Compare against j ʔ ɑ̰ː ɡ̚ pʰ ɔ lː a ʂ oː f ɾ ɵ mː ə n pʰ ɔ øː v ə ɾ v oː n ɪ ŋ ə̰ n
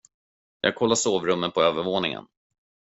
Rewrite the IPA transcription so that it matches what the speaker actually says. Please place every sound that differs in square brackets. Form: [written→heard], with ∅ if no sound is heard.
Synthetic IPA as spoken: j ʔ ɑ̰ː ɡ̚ [pʰ→kʰ] ɔ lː a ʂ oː [f→v] ɾ ɵ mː ə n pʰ ɔ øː v ə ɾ v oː n ɪ ŋ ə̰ n

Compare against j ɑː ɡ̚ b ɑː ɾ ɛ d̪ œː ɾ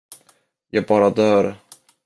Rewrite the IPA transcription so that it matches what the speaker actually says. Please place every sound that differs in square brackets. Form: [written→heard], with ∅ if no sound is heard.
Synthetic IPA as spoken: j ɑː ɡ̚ b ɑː ɾ [ɛ→a] d̪ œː ɾ

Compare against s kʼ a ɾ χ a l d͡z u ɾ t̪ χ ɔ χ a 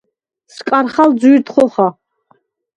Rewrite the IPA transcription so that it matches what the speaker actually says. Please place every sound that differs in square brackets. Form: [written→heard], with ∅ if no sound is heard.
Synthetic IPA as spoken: s kʼ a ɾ χ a l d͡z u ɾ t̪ χ ɔ χ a

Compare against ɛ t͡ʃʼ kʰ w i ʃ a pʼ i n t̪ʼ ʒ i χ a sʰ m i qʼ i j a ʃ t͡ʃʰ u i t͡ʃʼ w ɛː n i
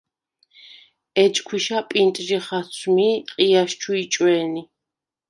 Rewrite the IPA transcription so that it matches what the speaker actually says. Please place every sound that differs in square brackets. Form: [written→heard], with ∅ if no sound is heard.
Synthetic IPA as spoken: ɛ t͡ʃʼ kʰ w i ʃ a pʼ i n t̪ʼ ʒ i χ a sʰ m i qʼ i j a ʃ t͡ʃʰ u i t͡ʃʼ w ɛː n i

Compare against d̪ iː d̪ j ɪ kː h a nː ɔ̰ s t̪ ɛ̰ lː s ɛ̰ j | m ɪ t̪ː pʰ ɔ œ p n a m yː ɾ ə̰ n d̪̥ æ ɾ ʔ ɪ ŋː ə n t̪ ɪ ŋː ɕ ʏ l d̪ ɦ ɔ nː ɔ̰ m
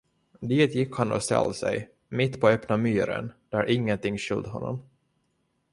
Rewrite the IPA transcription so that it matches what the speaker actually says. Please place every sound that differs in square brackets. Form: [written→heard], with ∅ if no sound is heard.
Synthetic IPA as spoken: d̪ iː [d̪→t̪] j ɪ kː h a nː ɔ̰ s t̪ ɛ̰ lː s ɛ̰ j | m ɪ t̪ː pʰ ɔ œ p n a m yː ɾ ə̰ n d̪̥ æ ɾ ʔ ɪ ŋː ə n t̪ ɪ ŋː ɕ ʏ l d̪ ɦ ɔ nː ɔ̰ m

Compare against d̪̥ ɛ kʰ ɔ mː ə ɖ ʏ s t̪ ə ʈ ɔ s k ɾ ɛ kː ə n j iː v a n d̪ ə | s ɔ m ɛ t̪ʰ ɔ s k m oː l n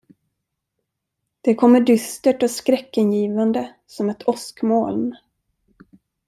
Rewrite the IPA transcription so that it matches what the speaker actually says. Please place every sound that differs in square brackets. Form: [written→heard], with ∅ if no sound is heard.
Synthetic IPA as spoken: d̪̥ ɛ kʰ ɔ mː ə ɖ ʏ s t̪ ə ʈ ɔ s k ɾ ɛ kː ə n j iː v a n d̪ ə | s ɔ m ɛ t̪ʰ ɔ s k m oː l n

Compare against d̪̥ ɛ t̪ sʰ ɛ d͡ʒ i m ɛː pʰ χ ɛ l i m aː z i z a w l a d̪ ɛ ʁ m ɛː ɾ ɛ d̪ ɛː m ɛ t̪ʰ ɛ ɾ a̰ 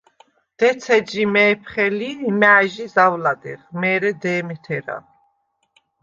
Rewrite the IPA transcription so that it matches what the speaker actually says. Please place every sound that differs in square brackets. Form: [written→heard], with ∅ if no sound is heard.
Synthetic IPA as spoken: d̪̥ ɛ t̪ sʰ ɛ d͡ʒ i m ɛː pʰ χ ɛ l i m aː [z→ʒ] i z a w l a d̪ ɛ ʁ m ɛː ɾ ɛ d̪ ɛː m ɛ t̪ʰ ɛ ɾ a̰

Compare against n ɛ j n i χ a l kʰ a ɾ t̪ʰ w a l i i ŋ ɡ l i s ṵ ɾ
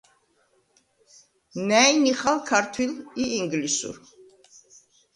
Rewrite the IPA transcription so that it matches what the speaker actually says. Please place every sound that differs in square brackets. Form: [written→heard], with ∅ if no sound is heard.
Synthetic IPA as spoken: n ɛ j n i χ a l kʰ a ɾ t̪ʰ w [a→i] l i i ŋ ɡ l i s ṵ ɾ

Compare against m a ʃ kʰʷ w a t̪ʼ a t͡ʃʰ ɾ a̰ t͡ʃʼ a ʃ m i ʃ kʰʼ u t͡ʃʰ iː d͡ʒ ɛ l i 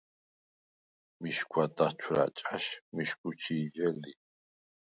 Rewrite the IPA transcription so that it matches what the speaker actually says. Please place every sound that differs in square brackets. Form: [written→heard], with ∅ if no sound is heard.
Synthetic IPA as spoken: m [a→i] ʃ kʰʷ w a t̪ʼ a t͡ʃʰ ɾ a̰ t͡ʃʼ a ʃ m i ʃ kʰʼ u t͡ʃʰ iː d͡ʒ ɛ l i

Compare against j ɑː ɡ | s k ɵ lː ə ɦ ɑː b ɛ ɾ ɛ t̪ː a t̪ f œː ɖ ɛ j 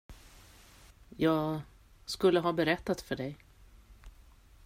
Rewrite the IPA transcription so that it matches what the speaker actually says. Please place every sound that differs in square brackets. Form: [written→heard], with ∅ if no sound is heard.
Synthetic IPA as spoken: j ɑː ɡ | s k ɵ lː ə ɦ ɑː b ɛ ɾ ɛ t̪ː a t̪ f [œː→œ] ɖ ɛ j

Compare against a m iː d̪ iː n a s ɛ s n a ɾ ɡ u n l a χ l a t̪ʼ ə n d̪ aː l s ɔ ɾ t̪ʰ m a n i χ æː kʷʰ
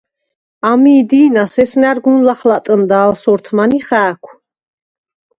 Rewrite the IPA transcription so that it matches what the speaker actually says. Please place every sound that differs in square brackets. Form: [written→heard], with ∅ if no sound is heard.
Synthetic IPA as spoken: a m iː d̪ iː n a s ɛ s n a ɾ ɡ u n l a χ l a t̪ʼ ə n d̪ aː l s ɔ ɾ t̪ʰ m a n i χ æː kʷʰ

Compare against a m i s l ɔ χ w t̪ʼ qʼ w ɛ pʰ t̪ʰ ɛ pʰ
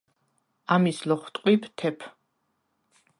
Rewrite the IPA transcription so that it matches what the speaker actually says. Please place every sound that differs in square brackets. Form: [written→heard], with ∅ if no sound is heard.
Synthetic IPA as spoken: a m i s l ɔ χ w t̪ʼ qʼ w [ɛ→i] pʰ t̪ʰ ɛ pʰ

